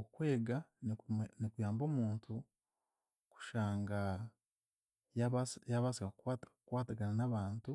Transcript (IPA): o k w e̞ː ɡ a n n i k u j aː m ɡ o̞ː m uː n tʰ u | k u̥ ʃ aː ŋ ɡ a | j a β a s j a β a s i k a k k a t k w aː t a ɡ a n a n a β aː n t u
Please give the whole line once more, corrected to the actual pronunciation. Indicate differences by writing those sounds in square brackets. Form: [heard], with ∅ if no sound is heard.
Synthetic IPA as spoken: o k w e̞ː ɡ a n n i k u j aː m [b] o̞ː m uː n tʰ u | k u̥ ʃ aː ŋ ɡ a | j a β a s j a β a s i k a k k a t k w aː t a ɡ a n a n a β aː n t u